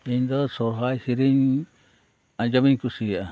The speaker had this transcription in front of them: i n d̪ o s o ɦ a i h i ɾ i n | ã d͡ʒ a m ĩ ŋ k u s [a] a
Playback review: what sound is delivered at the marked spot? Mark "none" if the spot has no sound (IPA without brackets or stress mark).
i